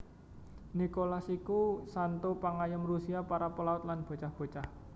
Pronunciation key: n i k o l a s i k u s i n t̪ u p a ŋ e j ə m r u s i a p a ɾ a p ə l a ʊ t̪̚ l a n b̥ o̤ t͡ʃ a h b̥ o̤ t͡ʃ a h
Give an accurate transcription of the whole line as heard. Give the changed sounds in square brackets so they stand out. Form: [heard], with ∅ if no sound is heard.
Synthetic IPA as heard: n i k o l a s i k u s [a] n t̪ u p a ŋ [a] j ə m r u s i a p a ɾ a p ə l a ʊ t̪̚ l a n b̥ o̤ t͡ʃ a h b̥ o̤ t͡ʃ a h